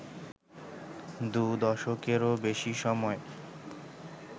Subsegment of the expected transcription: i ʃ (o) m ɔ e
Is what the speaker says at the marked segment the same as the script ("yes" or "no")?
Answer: no